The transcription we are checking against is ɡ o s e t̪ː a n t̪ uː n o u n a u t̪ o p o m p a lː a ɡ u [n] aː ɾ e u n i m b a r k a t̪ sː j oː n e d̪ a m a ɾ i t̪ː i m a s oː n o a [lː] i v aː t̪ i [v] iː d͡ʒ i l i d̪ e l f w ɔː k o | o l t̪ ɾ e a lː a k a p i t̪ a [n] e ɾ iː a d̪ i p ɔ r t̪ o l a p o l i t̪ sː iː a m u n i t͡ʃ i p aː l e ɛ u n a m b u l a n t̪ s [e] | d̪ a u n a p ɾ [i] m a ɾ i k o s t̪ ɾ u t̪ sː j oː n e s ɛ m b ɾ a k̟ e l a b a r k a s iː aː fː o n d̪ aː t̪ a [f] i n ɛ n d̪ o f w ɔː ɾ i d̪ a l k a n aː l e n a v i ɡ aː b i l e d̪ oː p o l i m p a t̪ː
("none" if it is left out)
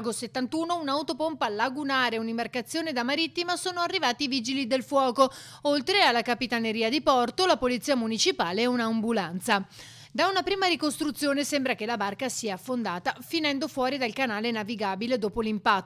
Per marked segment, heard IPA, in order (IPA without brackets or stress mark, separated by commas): n, rː, v, n, a, iː, f